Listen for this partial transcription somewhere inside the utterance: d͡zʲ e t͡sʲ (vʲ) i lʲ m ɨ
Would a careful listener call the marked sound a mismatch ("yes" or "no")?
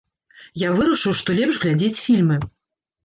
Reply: yes